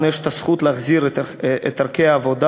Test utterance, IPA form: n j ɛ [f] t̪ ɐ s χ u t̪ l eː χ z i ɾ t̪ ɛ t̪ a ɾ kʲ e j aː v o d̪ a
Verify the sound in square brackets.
incorrect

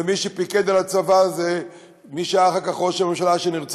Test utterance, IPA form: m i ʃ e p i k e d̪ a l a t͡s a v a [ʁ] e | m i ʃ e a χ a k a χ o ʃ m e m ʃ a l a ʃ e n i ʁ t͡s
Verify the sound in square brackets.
incorrect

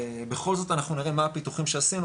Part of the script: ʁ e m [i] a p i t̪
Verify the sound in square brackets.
incorrect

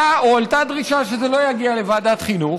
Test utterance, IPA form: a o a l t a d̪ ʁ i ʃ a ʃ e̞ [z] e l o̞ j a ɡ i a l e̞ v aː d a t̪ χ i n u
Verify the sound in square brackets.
correct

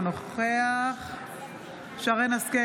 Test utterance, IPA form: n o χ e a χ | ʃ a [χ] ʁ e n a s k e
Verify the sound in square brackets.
incorrect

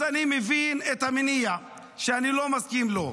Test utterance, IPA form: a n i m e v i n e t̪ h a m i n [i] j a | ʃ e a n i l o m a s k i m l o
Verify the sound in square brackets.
correct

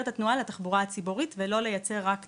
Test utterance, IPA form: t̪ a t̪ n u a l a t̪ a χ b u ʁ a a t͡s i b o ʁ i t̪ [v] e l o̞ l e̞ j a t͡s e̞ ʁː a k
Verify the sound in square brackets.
correct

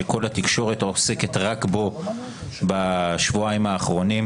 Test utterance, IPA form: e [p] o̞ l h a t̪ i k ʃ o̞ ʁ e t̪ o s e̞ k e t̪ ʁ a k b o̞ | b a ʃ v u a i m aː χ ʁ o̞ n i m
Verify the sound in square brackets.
incorrect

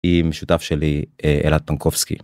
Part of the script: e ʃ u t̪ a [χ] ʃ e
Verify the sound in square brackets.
incorrect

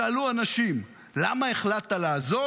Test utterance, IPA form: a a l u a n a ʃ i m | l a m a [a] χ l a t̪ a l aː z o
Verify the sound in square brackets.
incorrect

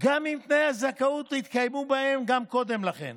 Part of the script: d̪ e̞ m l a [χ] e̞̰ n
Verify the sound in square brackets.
correct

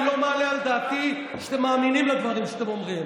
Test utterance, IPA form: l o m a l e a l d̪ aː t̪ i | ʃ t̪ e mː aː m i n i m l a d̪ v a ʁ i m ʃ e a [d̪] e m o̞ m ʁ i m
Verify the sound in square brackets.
incorrect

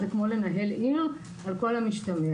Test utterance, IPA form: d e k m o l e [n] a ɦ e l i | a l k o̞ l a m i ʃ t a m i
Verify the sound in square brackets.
correct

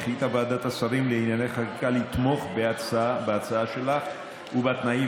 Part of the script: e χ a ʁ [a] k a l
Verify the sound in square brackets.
incorrect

